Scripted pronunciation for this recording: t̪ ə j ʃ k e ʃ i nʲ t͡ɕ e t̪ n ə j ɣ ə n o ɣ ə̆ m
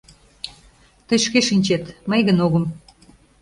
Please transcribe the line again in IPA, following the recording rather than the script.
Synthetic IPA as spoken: t̪ ə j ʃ k e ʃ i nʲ t͡ɕ e t̪ m ə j ɣ ə n o ɣ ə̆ m